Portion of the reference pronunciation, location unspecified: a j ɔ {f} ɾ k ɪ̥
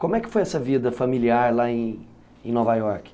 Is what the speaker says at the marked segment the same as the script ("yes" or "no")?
no